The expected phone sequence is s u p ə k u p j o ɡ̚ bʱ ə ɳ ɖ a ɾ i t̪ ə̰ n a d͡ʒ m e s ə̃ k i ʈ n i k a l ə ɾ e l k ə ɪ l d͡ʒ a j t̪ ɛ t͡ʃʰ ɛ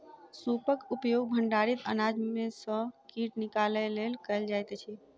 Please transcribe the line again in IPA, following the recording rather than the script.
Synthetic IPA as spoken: s u p ə k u p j o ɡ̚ bʱ ə ɳ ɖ a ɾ i t̪ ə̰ n a d͡ʒ m e s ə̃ k i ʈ n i k a l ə l e l k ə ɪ l d͡ʒ a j t̪ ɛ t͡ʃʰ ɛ